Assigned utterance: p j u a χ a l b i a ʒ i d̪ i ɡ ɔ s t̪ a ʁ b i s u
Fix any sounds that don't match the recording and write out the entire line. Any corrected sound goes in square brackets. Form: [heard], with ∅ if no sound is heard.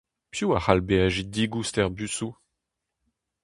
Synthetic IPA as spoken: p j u a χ a l b [e] a ʒ i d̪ i ɡ [u] s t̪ [ɛ] ʁ b [y] s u